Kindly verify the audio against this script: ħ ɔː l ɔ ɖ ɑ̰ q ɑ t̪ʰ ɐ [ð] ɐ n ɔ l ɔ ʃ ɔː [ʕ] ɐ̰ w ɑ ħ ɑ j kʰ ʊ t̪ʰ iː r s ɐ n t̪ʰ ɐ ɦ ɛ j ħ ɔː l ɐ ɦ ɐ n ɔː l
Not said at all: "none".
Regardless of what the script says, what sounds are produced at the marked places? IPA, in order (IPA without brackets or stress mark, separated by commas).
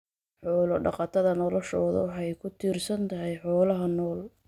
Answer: ð, ð